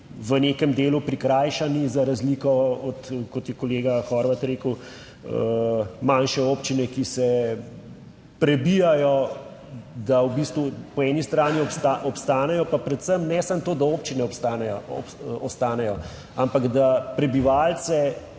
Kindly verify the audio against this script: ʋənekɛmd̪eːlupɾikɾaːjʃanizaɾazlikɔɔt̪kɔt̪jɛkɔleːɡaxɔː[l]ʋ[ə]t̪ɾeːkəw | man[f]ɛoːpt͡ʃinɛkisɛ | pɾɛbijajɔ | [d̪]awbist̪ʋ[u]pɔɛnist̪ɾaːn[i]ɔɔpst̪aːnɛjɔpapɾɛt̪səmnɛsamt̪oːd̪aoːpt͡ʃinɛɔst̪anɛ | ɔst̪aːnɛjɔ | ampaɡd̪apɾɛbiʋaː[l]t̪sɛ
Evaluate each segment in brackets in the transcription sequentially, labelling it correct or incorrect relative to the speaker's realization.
incorrect, incorrect, incorrect, correct, correct, correct, correct

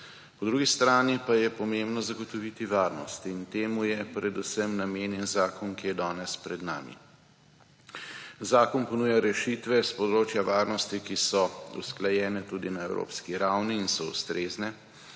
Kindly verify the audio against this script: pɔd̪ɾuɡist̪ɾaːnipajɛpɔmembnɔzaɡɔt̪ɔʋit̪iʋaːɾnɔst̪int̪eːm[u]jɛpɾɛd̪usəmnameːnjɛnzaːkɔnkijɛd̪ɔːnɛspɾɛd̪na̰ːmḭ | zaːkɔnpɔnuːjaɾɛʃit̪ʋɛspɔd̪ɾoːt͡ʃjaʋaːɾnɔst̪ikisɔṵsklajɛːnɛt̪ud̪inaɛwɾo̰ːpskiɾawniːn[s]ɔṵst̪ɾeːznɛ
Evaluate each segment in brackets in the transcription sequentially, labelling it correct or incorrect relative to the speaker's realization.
correct, correct

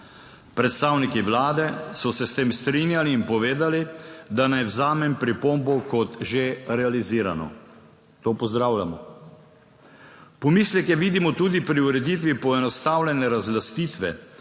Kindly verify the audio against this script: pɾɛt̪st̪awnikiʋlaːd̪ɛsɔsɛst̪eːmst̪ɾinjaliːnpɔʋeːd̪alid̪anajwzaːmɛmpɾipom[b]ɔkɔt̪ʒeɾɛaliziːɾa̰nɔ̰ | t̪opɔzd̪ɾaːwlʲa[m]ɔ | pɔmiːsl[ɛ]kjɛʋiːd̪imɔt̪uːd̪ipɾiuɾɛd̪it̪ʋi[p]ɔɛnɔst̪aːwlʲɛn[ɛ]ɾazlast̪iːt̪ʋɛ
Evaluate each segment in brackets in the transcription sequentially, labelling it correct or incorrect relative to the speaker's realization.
correct, correct, correct, correct, correct

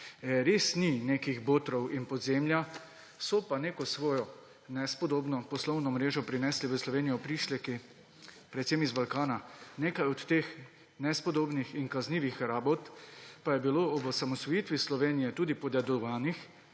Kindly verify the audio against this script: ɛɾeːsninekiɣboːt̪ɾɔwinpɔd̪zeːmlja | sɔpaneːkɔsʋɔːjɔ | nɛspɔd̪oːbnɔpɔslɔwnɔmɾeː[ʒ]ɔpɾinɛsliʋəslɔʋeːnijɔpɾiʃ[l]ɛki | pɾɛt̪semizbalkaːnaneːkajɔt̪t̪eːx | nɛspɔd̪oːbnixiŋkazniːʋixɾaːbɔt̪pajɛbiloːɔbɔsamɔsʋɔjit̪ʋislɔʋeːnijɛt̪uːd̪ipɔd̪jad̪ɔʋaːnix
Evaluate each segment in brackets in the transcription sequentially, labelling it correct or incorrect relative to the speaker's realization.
correct, correct

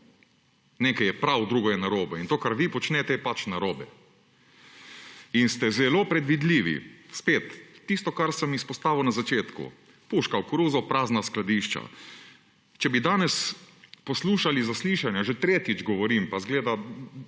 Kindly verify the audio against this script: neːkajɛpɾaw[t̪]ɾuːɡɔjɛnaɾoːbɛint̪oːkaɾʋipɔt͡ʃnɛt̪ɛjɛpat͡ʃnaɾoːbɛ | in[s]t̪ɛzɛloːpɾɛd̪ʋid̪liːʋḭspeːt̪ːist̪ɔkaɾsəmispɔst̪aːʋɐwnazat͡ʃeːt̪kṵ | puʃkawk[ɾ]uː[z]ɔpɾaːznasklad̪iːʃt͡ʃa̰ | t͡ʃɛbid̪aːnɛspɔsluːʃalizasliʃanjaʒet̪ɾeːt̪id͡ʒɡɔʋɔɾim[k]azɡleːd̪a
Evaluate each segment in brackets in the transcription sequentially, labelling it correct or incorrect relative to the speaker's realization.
incorrect, correct, correct, correct, incorrect

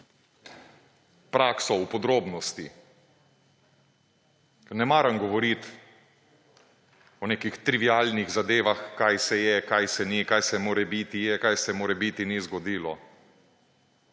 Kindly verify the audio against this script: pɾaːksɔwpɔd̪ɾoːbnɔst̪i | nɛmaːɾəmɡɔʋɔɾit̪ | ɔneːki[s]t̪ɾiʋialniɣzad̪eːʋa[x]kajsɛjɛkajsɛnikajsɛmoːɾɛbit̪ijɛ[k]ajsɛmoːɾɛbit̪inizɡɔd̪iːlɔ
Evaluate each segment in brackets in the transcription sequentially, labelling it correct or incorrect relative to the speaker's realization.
incorrect, correct, correct

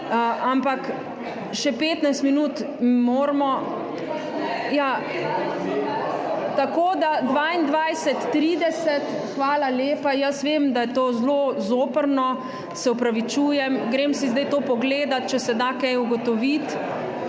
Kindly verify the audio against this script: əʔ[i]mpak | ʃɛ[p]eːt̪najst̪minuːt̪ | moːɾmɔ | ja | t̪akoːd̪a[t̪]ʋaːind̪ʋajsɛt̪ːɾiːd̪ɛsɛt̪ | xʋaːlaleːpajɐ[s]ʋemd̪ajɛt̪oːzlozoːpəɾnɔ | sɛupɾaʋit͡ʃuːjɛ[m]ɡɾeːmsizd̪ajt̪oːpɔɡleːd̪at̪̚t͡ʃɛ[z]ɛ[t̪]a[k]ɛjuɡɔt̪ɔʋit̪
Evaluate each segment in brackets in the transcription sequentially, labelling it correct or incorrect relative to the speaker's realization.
incorrect, correct, incorrect, correct, correct, incorrect, incorrect, correct

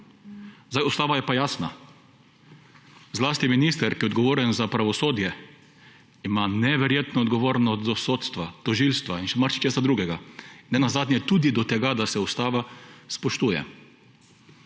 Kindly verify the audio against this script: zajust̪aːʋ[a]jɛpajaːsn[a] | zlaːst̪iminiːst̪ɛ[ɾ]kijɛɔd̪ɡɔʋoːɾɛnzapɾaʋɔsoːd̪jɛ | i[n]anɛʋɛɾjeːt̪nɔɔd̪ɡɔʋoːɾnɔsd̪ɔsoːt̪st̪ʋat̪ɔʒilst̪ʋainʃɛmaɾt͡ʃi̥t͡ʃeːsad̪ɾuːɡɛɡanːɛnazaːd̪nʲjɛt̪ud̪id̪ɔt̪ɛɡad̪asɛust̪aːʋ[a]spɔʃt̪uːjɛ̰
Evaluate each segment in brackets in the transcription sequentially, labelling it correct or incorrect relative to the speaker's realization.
correct, correct, correct, incorrect, correct

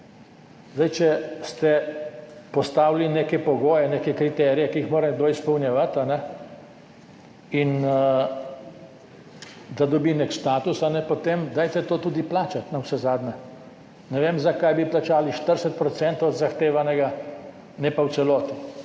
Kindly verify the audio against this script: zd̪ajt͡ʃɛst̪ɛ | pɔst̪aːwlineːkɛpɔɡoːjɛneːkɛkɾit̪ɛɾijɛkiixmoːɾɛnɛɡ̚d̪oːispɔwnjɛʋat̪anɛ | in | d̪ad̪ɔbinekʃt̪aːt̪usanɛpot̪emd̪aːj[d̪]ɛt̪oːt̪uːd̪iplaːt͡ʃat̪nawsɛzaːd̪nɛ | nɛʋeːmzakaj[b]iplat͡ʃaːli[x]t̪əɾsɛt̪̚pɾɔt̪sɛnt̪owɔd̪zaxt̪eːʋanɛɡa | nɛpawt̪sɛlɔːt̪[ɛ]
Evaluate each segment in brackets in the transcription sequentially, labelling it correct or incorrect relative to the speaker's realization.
incorrect, correct, incorrect, incorrect

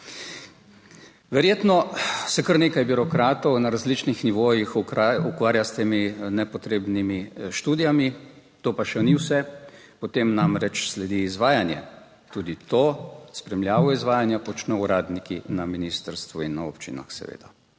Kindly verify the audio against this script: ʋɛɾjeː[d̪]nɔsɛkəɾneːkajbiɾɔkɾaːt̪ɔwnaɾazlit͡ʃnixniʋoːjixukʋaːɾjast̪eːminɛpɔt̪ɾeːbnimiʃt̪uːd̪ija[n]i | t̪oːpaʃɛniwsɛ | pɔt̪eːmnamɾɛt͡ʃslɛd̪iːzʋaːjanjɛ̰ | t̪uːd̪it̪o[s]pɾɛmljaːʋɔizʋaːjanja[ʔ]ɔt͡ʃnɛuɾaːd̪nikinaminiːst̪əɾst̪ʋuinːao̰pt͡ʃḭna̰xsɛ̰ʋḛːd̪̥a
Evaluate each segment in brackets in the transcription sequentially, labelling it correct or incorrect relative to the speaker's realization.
incorrect, incorrect, correct, incorrect

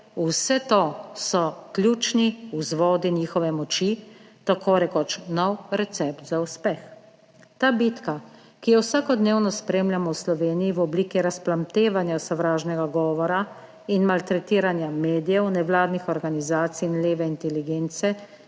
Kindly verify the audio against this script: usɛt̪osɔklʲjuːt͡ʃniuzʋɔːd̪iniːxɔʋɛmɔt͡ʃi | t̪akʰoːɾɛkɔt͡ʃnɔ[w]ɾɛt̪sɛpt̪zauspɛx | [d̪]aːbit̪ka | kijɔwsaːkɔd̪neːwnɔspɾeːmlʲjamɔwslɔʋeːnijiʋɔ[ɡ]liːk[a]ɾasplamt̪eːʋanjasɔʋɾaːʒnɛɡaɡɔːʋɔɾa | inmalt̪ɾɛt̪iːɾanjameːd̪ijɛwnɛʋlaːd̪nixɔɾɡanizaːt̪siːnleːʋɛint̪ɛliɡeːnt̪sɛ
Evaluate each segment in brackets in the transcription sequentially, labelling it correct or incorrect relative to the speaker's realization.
correct, incorrect, incorrect, incorrect

